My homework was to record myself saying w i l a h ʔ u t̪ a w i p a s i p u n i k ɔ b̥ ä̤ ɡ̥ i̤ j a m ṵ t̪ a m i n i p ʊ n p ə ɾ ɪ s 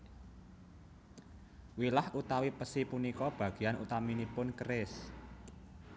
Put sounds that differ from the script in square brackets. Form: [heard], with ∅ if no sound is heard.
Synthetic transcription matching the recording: w i l a h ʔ u t̪ a w i p [ə] s i p u n i k ɔ b̥ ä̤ ɡ̥ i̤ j a [n] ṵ t̪ a m i n i p ʊ n [k] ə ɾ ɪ s